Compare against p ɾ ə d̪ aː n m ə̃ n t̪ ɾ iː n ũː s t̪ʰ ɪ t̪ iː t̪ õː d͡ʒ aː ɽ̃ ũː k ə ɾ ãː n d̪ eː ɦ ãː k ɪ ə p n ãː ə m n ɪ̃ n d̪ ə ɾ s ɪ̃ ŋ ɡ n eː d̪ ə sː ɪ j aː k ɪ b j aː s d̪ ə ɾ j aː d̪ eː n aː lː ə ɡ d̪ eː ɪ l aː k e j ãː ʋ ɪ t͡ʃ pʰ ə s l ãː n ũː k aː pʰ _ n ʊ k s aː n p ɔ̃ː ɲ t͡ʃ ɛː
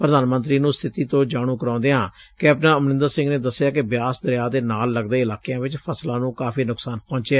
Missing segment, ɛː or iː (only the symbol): iː